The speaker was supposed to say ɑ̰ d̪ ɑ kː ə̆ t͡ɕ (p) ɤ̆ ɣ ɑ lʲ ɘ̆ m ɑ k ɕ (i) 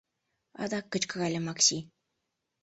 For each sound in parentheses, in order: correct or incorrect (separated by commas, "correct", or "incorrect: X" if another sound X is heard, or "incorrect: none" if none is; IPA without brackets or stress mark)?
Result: incorrect: k, correct